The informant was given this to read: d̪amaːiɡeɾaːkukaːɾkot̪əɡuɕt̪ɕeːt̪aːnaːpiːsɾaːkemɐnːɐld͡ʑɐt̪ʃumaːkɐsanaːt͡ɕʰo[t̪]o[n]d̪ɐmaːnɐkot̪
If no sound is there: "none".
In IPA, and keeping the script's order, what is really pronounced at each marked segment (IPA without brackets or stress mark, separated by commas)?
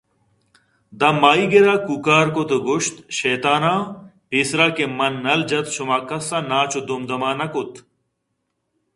d̪, m